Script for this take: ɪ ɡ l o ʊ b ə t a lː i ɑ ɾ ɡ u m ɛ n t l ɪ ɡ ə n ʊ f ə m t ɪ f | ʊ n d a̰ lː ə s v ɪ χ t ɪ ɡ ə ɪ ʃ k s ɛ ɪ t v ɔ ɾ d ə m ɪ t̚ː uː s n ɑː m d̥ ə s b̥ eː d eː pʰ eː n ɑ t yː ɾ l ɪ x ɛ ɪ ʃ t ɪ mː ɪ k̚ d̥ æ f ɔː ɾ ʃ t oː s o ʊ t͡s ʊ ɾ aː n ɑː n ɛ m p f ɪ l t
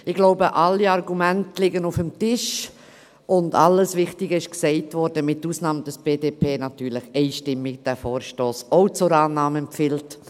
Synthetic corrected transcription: ɪ ɡ l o ʊ b ə ʔ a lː i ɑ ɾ ɡ u m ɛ n t l ɪ ɡ ə n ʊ f ə m t ɪ ʃ | ʊ n d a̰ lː ə s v ɪ χ t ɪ ɡ ə ɪ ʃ k s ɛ ɪ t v ɔ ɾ d ə m ɪ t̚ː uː s n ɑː m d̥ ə s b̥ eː d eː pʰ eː n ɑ t yː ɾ l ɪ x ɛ ɪ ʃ t ɪ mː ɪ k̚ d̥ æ f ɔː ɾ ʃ t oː s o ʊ t͡s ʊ ɾ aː n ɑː m ɛ m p f ɪ l t

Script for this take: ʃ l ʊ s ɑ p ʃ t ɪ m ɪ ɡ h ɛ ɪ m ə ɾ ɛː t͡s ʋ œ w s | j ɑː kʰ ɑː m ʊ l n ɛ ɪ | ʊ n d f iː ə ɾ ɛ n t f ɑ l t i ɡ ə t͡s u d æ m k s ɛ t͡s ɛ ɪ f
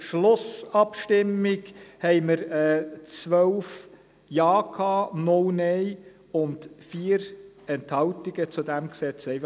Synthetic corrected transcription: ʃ l ʊ s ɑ p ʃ t ɪ m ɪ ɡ h ɛ ɪ m ə ɾ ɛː t͡s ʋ œ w f | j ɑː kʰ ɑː n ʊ l n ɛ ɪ | ʊ n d f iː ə ɾ ɛ n t h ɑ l t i ɡ ə t͡s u d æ m k s ɛ t͡s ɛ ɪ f

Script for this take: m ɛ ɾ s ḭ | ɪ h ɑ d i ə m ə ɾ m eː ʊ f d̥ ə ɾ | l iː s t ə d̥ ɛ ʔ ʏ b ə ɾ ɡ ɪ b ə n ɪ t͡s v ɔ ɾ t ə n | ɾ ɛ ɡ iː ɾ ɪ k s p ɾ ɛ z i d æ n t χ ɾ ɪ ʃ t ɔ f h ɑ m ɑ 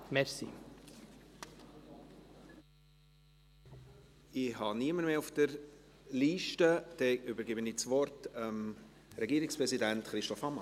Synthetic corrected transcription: m ɛ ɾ s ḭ | ɪ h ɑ n i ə m ə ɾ m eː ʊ f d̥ ə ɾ | l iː ʃ t ə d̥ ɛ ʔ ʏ b ə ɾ ɡ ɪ b ə n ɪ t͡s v ɔ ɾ t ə m | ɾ ɛ ɡ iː ɾ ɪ k s p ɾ ɛ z i d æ n t χ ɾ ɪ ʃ t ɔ f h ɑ m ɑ

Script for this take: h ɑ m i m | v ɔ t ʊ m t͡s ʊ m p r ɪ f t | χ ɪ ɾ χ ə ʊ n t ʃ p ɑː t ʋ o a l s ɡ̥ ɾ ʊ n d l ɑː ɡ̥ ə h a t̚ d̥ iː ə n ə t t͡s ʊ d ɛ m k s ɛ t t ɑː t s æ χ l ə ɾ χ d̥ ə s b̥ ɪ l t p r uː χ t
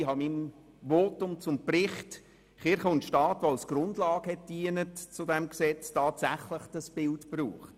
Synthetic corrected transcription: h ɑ m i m | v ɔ t ʊ m t͡s ʊ m p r ɪ χ t | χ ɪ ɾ χ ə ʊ n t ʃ t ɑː t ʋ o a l s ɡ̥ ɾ ʊ n d l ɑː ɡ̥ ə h ɛ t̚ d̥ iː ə n ə t t͡s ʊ d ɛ m k s ɛ t͡s t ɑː t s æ χ l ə χ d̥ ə s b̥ ɪ l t p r uː χ t

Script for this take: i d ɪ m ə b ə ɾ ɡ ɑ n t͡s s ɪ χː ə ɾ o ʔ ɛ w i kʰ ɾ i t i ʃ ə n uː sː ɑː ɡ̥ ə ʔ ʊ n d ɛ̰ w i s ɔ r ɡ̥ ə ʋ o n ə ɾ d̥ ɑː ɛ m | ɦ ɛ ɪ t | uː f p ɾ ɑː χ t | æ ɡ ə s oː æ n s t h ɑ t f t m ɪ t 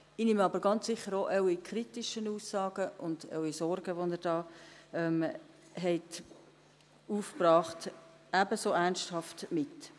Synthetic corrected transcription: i n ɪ m ɑ b ə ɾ ɡ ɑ n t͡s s ɪ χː ə ɾ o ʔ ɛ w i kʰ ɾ i t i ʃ ə n uː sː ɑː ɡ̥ ə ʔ ʊ n d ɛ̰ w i s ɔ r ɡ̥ ə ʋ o n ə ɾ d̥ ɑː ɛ m | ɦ ɛ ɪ t | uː f p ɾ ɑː χ t | æ b ə s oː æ n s t h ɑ f t m ɪ t

